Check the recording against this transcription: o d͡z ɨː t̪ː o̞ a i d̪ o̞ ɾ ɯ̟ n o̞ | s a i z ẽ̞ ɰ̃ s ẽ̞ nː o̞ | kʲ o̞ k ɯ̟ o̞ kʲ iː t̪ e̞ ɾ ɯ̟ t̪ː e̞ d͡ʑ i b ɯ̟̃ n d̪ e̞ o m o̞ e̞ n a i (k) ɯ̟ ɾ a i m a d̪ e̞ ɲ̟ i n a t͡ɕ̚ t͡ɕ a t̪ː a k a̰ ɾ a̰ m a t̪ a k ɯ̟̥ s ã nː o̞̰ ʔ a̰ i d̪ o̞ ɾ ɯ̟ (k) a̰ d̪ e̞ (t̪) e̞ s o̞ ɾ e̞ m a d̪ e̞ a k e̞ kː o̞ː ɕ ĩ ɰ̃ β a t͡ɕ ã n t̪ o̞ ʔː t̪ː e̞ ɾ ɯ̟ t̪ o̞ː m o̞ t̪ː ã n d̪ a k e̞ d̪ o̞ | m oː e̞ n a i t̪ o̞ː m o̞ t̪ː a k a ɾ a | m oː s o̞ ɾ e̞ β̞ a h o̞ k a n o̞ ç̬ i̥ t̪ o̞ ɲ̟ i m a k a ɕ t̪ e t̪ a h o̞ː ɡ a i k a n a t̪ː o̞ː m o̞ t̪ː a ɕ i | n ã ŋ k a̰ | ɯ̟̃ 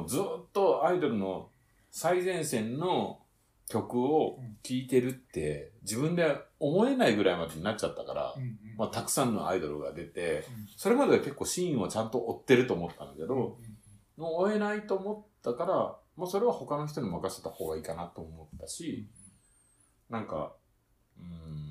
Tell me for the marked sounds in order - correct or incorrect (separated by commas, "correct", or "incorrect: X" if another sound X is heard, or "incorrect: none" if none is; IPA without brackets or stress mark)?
incorrect: ɡ, incorrect: ɡ, correct